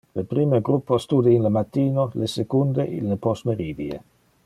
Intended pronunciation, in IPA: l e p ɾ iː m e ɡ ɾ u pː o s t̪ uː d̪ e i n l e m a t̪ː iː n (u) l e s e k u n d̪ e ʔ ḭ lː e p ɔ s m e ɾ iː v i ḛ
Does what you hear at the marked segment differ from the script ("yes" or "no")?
yes